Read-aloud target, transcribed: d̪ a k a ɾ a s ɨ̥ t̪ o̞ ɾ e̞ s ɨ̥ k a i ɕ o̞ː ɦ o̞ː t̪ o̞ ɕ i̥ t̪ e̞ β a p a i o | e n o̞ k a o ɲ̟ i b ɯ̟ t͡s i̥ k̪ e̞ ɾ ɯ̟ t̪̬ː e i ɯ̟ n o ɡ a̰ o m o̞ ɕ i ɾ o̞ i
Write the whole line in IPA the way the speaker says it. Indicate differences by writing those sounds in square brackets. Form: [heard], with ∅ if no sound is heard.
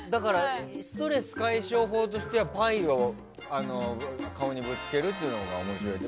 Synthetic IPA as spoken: d̪ a k a ɾ a s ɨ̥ t̪ o̞ ɾ e̞ s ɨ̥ k a i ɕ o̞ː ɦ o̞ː t̪ o̞ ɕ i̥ t̪ e̞ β a p a i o | [a] n o̞ k a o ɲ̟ i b ɯ̟ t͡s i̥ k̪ e̞ ɾ ɯ̟ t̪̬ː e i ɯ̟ n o ɡ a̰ o m o̞ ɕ i ɾ o̞ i